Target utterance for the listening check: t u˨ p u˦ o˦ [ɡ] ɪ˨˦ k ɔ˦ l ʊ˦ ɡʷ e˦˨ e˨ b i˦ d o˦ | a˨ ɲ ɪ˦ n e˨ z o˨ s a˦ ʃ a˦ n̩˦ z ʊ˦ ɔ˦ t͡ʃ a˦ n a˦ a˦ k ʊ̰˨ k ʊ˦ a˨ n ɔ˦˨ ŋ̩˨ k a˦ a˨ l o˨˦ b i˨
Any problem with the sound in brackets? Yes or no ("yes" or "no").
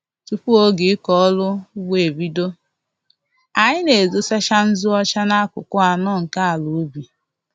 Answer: no